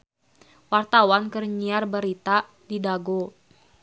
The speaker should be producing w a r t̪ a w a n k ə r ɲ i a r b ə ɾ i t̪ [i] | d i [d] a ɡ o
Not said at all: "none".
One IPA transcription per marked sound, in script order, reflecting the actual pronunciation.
a, d

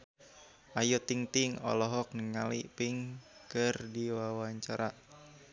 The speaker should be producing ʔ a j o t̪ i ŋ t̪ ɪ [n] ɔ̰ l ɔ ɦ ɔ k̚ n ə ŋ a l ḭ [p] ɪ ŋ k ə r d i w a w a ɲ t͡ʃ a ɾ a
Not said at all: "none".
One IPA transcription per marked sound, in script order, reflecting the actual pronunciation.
ŋ, p

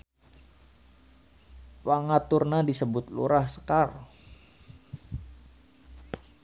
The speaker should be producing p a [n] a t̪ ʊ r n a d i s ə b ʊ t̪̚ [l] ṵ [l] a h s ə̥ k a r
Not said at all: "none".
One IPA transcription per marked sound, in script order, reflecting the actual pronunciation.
ŋ, l, ɾ

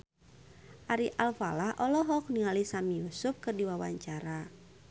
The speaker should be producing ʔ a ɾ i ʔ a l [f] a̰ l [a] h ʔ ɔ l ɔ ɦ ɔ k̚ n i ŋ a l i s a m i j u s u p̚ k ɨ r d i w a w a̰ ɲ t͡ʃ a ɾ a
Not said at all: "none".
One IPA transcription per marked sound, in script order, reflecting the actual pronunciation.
f, a

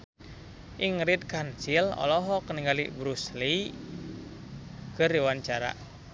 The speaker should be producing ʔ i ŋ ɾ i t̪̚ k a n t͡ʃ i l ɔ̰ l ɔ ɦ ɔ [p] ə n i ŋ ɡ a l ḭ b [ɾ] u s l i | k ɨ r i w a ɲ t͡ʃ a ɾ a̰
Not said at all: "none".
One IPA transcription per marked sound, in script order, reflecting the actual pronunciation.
k, ɾ

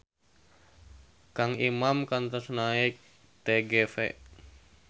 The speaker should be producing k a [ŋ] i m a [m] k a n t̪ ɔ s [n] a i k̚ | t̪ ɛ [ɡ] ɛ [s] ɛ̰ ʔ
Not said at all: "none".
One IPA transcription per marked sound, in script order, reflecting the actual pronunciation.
ŋ, m, n, ɡ, f

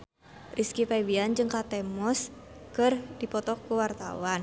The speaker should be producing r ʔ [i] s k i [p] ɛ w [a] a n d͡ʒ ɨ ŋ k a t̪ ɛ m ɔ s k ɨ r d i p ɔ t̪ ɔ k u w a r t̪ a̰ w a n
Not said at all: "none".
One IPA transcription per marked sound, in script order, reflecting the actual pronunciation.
i, p, i

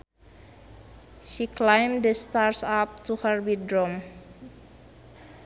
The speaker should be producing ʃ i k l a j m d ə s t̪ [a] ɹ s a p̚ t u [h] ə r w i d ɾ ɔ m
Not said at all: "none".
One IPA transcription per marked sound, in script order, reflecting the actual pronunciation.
a, h

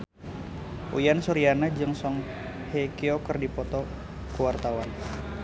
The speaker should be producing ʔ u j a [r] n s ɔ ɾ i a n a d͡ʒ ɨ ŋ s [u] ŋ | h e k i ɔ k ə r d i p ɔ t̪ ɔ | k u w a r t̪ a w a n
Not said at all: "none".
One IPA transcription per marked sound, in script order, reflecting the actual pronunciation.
none, ɔ

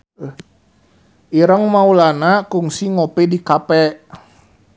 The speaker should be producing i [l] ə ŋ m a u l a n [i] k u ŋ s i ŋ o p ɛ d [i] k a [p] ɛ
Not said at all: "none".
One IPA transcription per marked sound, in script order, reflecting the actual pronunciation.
ɾ, a, i, p

